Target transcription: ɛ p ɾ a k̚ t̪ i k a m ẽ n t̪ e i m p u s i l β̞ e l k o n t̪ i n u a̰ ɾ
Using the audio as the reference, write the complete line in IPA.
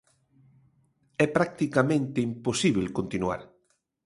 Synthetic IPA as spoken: ɛ p ɾ a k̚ t̪ i k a m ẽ n t̪ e i m p o s i β̞ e l k o n t̪ i n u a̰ ɾ